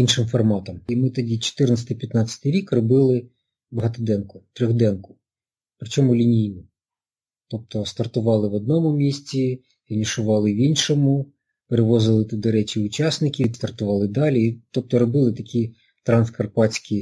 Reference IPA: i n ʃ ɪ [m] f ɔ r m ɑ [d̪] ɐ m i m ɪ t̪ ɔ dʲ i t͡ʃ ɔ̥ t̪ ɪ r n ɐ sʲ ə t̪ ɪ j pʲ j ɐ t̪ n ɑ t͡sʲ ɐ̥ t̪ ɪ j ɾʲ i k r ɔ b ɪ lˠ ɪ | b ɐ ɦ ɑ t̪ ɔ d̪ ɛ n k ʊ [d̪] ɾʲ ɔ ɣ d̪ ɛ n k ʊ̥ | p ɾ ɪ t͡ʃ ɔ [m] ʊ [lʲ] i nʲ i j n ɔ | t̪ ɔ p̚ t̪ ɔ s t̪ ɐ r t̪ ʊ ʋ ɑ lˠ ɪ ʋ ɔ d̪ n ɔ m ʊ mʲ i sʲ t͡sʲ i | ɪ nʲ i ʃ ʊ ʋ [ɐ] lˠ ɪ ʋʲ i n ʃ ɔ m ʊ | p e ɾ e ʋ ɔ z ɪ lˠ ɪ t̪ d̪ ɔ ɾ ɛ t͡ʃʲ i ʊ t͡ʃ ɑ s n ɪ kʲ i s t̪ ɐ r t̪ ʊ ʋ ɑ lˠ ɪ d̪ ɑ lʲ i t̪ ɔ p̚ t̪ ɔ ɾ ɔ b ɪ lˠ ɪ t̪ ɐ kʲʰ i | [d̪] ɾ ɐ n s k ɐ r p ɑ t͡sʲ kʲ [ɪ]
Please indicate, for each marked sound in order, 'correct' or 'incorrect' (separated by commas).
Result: correct, incorrect, incorrect, correct, correct, incorrect, incorrect, incorrect